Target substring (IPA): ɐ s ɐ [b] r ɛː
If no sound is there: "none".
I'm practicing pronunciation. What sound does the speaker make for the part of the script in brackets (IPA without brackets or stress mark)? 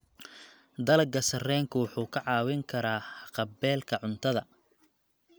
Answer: none